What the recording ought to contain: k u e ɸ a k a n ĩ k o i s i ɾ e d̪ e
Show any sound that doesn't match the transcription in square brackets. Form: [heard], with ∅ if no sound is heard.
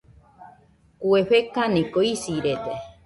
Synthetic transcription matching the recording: k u e ɸ [e] k a n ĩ k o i s i ɾ e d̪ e